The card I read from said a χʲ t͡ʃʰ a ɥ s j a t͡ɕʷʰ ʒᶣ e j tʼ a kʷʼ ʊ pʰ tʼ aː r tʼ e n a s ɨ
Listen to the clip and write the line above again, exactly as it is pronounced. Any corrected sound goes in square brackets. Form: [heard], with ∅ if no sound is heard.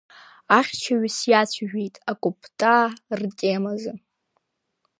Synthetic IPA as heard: a χʲ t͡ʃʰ a ɥ s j a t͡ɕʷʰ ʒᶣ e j tʼ a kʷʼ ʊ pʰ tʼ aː r tʼ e [m] a [z] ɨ